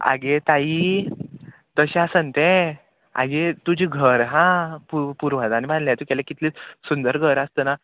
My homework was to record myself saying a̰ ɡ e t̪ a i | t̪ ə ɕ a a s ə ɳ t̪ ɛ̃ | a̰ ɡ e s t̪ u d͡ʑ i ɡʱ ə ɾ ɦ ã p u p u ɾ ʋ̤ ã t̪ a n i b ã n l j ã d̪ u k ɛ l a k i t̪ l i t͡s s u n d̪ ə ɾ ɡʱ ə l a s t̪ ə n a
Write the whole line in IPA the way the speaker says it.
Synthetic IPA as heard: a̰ ɡ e t̪ a i | t̪ ə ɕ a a s ə n t̪ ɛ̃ | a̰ ɡ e t̪ u d͡ʑ i ɡʱ ə ɾ ɦ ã p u p u ɾ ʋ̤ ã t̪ a n i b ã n l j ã t̪ u k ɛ l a k i t̪ l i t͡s s u n d̪ ə ɾ ɡʱ ə ɾ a s t̪ ə n a

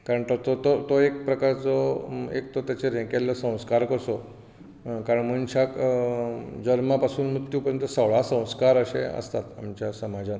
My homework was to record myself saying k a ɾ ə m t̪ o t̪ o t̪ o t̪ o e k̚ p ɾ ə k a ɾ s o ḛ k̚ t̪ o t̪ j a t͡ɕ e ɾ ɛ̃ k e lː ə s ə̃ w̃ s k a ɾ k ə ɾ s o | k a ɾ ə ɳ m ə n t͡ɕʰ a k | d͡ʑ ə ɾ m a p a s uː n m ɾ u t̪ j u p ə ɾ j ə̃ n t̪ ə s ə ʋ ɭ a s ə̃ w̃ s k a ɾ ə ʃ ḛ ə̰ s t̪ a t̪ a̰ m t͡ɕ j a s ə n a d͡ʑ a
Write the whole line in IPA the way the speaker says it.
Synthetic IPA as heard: k a ɾ ə ɳ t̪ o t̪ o t̪ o t̪ o e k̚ p ɾ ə k a ɾ t͡s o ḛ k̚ t̪ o t̪ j a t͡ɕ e ɾ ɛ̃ k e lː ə s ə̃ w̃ s k a ɾ k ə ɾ s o | k a ɾ ə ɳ m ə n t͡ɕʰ a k | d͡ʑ ə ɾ m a p a s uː n m ɾ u t̪ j u p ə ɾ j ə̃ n t̪ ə s ə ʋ ɭ a s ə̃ w̃ s k a ɾ ə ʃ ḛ ə̰ s t̪ a t̪ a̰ m t͡ɕ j a s ə m a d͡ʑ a

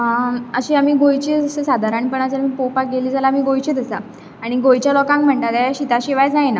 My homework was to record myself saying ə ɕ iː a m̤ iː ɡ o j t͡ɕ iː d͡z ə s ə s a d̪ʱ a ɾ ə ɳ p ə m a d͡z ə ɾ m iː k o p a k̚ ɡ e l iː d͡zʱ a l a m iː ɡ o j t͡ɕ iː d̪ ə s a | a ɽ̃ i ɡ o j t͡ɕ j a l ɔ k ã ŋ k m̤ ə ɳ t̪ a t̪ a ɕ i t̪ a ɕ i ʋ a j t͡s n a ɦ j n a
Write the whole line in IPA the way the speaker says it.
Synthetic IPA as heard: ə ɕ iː a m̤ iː ɡ o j t͡ɕ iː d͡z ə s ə s a d̪ʱ a ɾ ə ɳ p ə ɳ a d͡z ə ɾ m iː p o p a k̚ ɡ e l iː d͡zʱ a l a m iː ɡ o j t͡ɕ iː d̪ ə s a | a ɽ̃ i ɡ o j t͡ɕ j a l ɔ k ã ŋ k m̤ ə ɳ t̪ a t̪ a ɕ i t̪ a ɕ i ʋ a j t͡s n a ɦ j n a

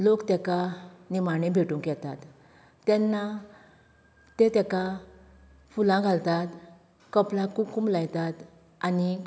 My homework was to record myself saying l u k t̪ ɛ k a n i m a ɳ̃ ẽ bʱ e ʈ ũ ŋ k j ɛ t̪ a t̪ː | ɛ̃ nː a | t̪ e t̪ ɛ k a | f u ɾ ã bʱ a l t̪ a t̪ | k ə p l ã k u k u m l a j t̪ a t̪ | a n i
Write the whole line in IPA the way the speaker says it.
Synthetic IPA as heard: l o k t̪ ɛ k a n i m a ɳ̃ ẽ bʱ e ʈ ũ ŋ k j ɛ t̪ a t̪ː | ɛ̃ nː a | t̪ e t̪ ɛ k a | f u l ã ɡʱ a l t̪ a t̪ | k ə p l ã k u k u m l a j t̪ a t̪ | a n i

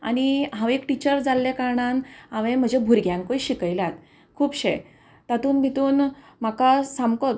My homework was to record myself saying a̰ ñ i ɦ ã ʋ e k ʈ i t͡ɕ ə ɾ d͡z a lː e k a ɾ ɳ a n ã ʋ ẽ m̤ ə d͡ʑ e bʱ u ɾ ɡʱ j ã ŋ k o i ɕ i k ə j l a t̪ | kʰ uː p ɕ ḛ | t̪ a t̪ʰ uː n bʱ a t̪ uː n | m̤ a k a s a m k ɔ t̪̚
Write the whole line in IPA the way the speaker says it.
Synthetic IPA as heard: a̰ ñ i ɦ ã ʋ e k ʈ i t͡ɕ ə ɾ d͡z a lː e k a ɾ ɳ a n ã ʋ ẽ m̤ ə d͡ʑ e bʱ u ɾ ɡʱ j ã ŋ k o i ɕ i k ə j l a t̪ | kʰ uː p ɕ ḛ | t̪ a t̪ uː n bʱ i t̪ uː n | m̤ a k a s a m k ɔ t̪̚

